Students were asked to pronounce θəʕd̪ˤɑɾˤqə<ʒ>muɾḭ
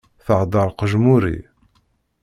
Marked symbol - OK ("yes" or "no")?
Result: yes